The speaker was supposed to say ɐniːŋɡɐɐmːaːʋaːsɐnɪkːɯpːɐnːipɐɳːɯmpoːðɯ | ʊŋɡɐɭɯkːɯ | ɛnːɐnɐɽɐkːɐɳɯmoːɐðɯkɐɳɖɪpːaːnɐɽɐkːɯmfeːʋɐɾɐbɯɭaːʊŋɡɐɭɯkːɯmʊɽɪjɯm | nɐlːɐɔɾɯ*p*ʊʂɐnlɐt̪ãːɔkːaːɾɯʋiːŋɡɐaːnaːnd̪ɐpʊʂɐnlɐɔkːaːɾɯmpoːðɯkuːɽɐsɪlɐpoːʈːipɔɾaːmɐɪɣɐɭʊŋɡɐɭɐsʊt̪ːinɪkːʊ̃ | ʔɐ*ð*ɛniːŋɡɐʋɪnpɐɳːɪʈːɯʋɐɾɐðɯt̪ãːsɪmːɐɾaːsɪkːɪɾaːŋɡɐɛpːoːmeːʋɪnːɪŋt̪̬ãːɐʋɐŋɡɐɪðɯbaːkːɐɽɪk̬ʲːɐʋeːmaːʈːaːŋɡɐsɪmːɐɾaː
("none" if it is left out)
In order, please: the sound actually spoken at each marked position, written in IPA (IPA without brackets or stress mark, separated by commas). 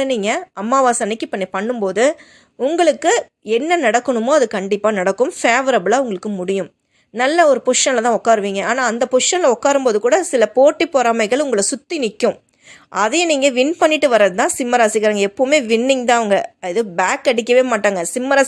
p, ð